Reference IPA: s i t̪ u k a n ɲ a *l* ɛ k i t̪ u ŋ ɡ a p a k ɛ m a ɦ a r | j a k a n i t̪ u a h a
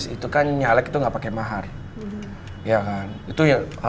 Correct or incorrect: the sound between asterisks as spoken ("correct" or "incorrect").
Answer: correct